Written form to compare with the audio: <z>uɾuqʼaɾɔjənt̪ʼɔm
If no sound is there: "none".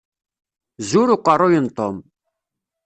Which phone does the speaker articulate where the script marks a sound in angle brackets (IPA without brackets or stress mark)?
z